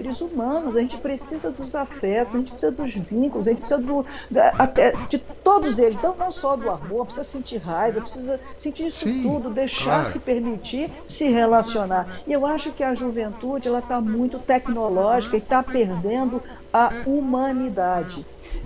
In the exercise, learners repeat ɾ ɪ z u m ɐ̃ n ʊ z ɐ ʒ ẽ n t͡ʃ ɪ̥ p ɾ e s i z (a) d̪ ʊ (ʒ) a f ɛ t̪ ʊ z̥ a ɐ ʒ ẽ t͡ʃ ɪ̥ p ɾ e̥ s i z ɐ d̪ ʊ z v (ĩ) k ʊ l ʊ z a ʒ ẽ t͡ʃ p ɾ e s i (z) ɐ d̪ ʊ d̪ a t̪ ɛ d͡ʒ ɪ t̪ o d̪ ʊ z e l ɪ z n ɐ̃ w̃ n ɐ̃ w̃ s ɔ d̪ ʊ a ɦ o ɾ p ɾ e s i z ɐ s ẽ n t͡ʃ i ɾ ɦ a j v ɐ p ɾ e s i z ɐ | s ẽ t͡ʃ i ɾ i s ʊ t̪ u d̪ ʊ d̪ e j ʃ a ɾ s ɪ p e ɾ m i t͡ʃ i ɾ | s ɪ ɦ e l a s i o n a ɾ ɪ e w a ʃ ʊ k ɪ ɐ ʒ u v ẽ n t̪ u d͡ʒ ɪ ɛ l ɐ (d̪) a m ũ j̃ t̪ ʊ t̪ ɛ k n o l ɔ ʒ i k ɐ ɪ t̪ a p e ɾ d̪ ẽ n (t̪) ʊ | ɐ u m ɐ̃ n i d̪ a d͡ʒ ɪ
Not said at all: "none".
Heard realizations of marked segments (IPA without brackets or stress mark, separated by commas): ɐ, z, ĩ, z, t̪, d̪